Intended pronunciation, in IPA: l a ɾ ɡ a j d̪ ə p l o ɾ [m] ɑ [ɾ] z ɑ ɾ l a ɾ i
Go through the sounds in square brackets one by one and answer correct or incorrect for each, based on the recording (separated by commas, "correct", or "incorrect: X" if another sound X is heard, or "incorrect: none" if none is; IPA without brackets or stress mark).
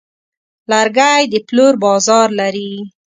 incorrect: b, incorrect: none